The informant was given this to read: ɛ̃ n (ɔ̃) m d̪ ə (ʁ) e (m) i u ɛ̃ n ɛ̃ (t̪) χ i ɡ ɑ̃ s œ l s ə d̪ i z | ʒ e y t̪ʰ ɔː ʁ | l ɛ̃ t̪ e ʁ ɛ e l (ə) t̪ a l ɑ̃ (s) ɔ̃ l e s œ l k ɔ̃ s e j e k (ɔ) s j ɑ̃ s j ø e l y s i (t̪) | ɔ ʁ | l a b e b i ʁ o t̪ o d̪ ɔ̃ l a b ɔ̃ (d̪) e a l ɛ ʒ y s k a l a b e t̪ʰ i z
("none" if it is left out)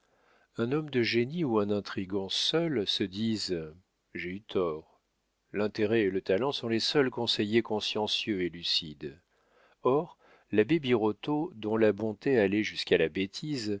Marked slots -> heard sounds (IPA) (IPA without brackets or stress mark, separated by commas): ɔ, ʒ, n, t̪, ə, s, ɔ̃, d̪, t̪